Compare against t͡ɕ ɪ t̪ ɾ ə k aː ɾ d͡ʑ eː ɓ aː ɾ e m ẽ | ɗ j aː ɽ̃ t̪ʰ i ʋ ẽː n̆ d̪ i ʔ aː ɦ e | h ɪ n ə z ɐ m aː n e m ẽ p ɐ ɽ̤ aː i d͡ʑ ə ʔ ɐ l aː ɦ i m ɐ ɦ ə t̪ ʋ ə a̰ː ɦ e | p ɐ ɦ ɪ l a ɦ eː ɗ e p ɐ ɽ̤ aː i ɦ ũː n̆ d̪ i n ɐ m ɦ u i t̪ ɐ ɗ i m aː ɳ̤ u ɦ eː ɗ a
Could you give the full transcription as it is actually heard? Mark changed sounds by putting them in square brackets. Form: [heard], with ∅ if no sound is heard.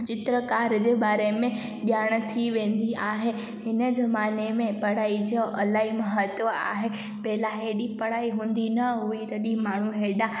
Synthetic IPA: t͡ɕ ɪ t̪ ɾ ə k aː ɾ d͡ʑ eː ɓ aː ɾ e m ẽ | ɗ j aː ɽ̃ t̪ʰ i ʋ ẽː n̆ d̪ i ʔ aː ɦ e | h ɪ n ə z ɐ m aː n e m ẽ p ɐ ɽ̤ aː i d͡ʑ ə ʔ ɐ l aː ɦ i m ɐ ɦ ə t̪ ʋ ə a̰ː ɦ e | p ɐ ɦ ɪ l a ɦ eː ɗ [i] p ɐ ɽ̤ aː i ɦ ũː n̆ d̪ i n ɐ [∅] ɦ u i t̪ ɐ ɗ i m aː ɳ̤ u ɦ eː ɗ a

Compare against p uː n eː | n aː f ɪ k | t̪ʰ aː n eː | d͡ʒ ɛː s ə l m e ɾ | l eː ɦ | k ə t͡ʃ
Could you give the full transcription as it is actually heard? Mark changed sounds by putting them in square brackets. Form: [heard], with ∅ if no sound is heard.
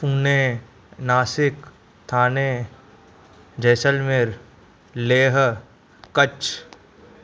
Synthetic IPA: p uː n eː | n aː [s] ɪ k | t̪ʰ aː n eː | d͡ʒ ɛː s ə l m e ɾ | l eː ɦ | k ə t͡ʃ

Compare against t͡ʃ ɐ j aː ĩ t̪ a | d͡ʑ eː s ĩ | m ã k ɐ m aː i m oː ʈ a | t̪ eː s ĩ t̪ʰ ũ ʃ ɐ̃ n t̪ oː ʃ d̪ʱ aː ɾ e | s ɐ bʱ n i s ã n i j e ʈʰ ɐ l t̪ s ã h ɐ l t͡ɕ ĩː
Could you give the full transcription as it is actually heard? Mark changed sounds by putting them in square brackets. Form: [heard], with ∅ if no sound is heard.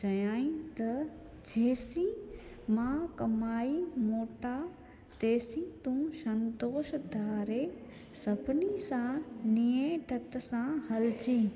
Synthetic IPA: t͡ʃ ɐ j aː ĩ t̪ [ɐ] | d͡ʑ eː s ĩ | m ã k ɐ m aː i m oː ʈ a | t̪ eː s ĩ [t̪] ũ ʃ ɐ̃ n t̪ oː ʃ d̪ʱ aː ɾ e | s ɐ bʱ n i s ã n i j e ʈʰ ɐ [∅] t̪ s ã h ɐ l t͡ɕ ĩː

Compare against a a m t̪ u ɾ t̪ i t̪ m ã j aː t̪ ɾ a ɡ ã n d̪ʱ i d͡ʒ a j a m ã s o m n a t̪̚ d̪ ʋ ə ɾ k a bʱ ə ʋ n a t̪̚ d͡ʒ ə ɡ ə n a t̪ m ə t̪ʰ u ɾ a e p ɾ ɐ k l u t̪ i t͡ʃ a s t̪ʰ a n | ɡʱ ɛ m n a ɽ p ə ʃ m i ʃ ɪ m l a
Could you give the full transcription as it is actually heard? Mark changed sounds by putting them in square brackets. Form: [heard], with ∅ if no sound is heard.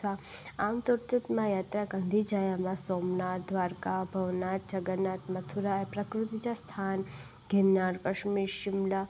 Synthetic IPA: a a m t̪ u ɾ t̪ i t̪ m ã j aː t̪ ɾ a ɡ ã n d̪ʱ i d͡ʒ a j a m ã s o m n a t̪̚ d̪ ʋ [a] ɾ k a bʱ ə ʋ n a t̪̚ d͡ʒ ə ɡ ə n a t̪ m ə t̪ʰ u ɾ a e p ɾ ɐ k [ɾ] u t̪ i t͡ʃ a s t̪ʰ a n | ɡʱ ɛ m n a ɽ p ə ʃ m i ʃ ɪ m l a

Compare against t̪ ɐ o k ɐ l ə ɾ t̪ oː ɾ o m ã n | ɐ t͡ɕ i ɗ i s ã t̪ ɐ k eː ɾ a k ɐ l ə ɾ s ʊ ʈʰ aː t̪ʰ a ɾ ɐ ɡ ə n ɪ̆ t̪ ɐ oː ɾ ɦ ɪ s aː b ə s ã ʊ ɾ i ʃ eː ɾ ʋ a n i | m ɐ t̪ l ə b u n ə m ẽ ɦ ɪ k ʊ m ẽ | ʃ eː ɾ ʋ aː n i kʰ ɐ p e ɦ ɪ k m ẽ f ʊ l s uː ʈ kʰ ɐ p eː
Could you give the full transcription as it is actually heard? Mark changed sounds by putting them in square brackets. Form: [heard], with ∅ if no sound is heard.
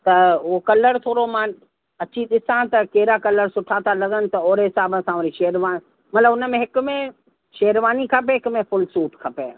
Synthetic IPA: t̪ ɐ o k ɐ l ə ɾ [t̪ʰ] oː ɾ o m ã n | ɐ t͡ɕ i ɗ [ɪ] s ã t̪ ɐ k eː ɾ a k ɐ l ə ɾ s ʊ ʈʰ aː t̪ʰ a [l] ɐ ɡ ə n ɪ̆ t̪ ɐ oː ɾ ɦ ɪ s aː b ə s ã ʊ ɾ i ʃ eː ɾ ʋ a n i | m ɐ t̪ l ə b [ʊ] n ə m ẽ ɦ ɪ k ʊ m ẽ | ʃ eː ɾ ʋ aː n i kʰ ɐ p e ɦ ɪ k m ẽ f ʊ l s uː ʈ kʰ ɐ p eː

